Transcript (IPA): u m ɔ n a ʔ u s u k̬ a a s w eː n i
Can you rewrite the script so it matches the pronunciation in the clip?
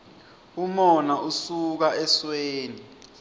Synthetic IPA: u m ɔ n a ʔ u s u k̬ a ɛ s w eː n i